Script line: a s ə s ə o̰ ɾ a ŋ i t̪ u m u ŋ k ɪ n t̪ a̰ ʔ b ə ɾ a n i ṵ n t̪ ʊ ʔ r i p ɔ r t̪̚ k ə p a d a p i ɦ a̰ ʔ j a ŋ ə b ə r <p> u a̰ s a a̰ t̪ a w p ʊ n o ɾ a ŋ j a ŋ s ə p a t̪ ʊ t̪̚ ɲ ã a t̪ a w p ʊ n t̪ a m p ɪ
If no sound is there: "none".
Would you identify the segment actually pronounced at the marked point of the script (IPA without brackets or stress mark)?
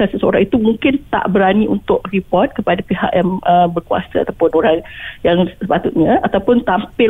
k